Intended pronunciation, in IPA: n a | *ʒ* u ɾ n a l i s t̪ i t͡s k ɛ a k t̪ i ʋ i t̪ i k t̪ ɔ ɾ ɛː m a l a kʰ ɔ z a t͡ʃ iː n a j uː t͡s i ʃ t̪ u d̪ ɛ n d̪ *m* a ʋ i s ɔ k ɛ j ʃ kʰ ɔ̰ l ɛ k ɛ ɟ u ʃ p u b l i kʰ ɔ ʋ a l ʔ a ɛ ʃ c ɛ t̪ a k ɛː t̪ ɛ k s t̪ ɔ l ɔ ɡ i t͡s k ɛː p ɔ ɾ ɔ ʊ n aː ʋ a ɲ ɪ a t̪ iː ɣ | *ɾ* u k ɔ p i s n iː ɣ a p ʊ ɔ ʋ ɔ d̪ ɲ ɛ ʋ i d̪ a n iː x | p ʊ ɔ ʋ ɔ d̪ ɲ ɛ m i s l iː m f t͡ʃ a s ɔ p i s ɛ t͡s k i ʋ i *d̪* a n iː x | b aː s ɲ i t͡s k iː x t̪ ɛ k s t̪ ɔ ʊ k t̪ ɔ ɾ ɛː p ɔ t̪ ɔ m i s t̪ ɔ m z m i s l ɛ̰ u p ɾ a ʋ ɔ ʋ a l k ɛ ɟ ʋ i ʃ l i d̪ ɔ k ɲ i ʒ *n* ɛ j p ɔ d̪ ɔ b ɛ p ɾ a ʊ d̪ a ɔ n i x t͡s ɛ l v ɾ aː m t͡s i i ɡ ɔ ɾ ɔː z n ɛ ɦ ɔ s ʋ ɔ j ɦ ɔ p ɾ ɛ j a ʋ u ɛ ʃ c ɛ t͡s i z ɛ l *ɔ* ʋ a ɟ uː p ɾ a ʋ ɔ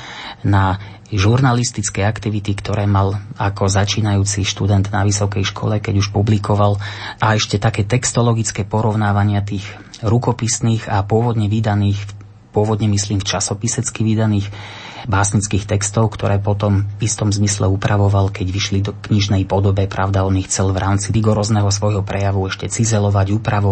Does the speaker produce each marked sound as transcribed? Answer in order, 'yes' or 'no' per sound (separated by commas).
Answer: yes, no, yes, yes, yes, yes